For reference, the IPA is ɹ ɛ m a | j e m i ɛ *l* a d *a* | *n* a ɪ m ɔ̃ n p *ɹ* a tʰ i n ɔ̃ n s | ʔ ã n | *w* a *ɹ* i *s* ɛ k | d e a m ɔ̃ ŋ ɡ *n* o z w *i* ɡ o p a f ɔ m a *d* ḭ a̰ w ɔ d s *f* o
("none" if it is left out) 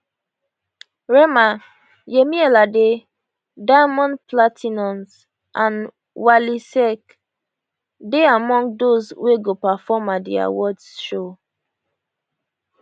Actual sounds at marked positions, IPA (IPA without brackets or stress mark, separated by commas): l, e, d, l, w, l, s, d, e, d, ʃ